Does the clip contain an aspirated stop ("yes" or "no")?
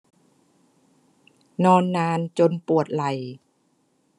no